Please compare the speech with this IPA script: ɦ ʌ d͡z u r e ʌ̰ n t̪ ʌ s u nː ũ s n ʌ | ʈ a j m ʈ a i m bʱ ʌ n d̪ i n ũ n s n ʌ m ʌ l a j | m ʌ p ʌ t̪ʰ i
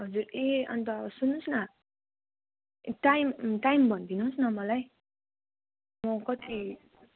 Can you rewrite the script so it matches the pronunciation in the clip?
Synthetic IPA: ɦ ʌ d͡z u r e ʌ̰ n t̪ ʌ s u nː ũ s n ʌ | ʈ a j m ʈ a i m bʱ ʌ n d̪ i n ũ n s n ʌ m ʌ l a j | m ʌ k ʌ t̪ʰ i